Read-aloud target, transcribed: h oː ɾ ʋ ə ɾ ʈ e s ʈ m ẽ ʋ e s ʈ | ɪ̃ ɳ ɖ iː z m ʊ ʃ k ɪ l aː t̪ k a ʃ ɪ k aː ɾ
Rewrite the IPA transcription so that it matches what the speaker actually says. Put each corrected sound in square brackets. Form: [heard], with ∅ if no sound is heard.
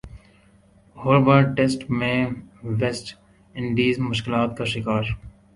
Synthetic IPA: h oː ɾ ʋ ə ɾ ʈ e s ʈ m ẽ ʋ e s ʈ | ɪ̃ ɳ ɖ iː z m ʊ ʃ k ɪ l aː t̪ k a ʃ ɪ k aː ɾ